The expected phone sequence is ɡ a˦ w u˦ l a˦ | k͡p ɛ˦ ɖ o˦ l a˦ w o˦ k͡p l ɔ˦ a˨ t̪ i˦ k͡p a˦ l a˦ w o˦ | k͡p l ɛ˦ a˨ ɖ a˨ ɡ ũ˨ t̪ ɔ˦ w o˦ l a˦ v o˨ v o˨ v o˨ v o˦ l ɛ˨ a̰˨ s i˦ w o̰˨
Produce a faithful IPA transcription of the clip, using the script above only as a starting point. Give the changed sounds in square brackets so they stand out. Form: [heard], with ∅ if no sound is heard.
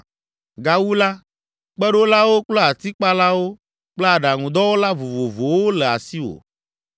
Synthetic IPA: ɡ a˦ w u˦ l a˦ | k͡p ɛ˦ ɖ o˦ l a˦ w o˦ k͡p l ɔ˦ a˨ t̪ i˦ k͡p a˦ l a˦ w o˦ | k͡p l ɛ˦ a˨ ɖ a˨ [ŋ] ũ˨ [d̪] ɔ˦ w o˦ l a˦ v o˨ v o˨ v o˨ [w] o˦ l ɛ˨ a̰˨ s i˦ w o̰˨